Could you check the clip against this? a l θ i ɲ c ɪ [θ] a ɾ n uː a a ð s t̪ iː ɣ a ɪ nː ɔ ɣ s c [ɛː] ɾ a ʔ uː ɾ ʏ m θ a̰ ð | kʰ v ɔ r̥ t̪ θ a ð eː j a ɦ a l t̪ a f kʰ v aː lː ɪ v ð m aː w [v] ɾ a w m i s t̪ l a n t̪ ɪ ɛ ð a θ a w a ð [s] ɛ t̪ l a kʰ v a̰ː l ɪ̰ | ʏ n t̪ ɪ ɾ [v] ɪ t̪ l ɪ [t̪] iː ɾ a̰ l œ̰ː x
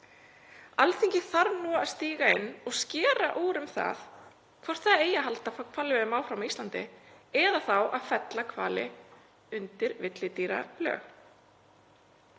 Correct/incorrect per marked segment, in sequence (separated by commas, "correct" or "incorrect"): correct, correct, incorrect, incorrect, correct, correct